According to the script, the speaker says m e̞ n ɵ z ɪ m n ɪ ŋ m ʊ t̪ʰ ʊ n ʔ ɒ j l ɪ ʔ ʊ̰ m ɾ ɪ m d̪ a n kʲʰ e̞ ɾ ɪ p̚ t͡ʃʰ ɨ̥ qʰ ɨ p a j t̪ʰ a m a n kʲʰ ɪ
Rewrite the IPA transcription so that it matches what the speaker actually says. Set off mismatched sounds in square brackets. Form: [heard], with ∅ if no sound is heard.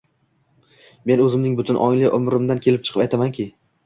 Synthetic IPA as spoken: m e̞ n ɵ z ɪ m n ɪ ŋ [b] ʊ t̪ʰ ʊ n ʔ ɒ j l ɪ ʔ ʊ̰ m ɾ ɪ m d̪ a n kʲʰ e̞ [l] ɪ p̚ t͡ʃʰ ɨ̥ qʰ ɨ p a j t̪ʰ a m a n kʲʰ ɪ